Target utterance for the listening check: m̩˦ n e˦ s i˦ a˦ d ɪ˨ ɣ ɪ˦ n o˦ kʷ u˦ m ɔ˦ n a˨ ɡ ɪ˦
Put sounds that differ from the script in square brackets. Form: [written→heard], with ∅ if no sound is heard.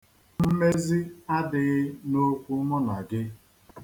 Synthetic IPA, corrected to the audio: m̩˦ [n→m] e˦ [s→z] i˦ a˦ d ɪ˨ ɣ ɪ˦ n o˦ kʷ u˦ m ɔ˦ n a˨ ɡ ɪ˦